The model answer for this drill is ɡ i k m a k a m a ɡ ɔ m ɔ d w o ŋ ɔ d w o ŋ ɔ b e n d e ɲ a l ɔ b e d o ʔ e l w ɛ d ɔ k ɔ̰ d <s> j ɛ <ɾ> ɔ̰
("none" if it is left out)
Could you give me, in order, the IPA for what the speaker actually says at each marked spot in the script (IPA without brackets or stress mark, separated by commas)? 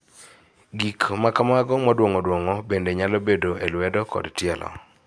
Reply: t, l